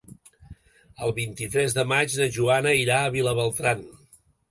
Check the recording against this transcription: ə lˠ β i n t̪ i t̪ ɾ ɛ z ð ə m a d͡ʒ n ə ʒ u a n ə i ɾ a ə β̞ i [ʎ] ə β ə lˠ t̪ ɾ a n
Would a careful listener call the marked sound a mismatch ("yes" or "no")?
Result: yes